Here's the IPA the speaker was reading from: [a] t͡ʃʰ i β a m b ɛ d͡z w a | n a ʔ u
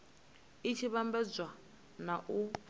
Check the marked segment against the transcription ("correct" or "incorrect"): incorrect